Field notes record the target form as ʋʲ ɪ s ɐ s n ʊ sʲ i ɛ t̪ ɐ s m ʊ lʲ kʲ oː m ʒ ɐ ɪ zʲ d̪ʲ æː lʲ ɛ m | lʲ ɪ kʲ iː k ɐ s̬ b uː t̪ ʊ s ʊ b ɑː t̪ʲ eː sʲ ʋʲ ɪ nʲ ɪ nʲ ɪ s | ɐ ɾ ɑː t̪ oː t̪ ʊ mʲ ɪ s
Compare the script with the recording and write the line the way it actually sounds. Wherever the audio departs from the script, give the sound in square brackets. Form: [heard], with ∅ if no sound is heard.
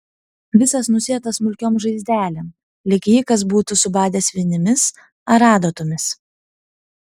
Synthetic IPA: ʋʲ ɪ s ɐ s n ʊ sʲ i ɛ t̪ ɐ s m ʊ lʲ kʲ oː m ʒ ɐ ɪ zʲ d̪ʲ æː lʲ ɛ m | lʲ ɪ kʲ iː k ɐ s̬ b uː t̪ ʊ s ʊ b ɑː [d̪ʲ] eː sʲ ʋʲ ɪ nʲ ɪ [mʲ] ɪ s | ɐ ɾ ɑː [d̪] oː t̪ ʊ mʲ ɪ s